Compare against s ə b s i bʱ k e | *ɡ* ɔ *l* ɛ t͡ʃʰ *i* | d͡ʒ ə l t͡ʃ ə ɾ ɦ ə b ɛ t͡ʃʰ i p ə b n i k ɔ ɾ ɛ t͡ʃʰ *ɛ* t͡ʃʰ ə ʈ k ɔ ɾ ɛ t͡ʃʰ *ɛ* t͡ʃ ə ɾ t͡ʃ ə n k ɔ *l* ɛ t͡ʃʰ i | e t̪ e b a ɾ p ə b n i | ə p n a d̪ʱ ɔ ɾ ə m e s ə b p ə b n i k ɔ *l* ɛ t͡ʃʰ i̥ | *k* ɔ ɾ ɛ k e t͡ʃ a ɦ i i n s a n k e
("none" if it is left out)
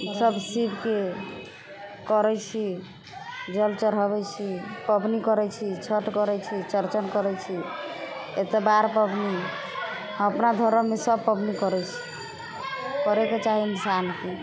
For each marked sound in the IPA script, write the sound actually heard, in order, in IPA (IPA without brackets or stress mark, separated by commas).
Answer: k, ɾ, i, i, i, ɾ, ɾ, k